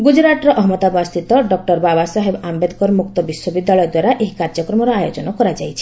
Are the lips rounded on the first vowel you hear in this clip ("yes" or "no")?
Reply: yes